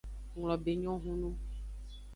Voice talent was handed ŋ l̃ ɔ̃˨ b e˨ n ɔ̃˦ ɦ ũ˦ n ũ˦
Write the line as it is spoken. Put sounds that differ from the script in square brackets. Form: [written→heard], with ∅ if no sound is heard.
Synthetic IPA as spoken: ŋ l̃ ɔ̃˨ b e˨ [n→ɲ] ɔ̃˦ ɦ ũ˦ n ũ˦

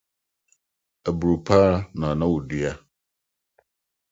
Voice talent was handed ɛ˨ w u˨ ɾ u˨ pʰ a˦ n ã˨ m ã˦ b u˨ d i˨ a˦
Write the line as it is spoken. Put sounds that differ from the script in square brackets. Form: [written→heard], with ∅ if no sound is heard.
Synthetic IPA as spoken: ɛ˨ [w→b] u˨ ɾ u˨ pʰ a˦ n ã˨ [m→n] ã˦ [b→w] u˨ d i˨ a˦

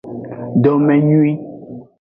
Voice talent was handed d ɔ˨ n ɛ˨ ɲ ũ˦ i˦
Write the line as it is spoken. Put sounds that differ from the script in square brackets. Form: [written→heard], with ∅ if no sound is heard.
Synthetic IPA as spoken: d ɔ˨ [n→m] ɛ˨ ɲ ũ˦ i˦

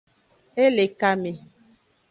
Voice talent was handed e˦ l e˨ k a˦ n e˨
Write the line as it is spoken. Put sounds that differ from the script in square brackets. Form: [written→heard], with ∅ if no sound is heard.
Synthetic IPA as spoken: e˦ l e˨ k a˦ [n→m] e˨

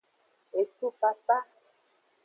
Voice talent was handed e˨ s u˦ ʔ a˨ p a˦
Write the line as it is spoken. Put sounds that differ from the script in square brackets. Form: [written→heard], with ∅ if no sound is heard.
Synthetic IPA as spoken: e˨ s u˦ [ʔ→p] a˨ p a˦

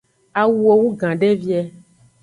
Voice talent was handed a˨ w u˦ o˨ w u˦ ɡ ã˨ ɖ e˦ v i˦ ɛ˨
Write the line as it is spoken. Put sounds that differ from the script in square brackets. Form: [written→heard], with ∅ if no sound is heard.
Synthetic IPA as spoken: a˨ w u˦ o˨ w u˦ ɡ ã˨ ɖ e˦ v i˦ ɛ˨

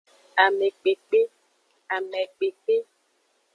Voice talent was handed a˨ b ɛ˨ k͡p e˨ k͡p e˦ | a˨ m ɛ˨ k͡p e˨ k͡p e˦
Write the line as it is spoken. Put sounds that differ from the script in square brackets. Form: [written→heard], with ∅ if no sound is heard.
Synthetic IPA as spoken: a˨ [b→m] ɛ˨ k͡p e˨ k͡p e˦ | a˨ m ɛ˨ k͡p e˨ k͡p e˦

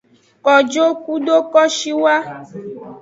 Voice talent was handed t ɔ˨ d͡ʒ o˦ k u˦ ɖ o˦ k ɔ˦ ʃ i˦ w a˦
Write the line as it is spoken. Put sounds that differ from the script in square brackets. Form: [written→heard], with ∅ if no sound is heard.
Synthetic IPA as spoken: [t→k] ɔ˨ d͡ʒ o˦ k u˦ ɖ o˦ k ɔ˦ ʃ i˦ w a˦

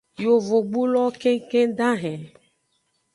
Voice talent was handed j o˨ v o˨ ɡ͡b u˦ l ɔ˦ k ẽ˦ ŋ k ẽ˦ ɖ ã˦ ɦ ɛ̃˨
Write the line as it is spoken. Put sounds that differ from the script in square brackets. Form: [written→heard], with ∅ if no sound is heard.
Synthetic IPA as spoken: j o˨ v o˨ ɡ͡b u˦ l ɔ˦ k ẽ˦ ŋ k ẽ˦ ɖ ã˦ ɦ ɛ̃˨

